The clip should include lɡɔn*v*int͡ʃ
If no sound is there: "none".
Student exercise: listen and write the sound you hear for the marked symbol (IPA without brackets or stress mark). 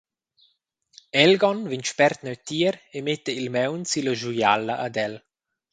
v